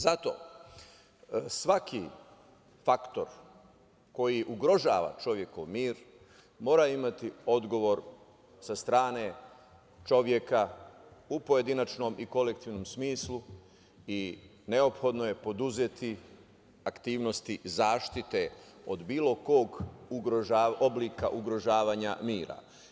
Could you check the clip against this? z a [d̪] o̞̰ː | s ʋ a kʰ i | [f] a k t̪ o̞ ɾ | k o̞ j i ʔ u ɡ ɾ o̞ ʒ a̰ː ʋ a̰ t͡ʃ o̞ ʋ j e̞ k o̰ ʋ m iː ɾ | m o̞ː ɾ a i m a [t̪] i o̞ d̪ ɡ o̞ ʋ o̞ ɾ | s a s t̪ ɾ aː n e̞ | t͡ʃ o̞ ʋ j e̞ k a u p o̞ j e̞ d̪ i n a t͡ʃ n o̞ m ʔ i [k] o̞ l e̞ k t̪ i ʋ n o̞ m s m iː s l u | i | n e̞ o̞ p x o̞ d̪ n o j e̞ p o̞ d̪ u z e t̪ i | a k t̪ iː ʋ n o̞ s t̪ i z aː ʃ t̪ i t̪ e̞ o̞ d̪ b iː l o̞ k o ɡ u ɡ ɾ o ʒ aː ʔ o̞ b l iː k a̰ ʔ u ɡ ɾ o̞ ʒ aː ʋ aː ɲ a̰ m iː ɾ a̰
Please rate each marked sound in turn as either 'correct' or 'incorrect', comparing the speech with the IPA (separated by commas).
incorrect, correct, correct, correct